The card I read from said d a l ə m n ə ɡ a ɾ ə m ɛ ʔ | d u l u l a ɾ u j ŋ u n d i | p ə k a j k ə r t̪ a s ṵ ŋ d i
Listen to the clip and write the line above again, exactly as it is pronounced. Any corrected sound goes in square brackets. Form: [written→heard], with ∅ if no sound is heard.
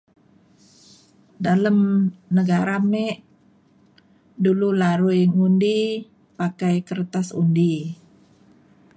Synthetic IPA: d a l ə m n ə ɡ a ɾ [ə→a] m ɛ ʔ | d u l u l a ɾ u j ŋ u n d i | p [ə→a] k a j k ə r t̪ a s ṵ [ŋ→n] d i